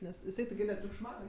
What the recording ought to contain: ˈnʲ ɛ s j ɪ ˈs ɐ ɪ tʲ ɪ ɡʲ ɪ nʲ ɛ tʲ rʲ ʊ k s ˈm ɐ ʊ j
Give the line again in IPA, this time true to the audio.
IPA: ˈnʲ ɛ s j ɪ ˈs ɐ ɪ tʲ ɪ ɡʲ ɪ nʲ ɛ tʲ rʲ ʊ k ʃ ˈm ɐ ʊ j